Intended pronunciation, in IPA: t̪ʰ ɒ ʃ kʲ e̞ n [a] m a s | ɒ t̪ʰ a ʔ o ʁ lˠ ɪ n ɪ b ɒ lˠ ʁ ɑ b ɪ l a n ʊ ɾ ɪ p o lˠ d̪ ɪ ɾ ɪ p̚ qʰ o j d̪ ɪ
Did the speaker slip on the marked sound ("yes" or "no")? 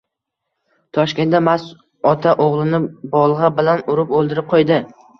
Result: no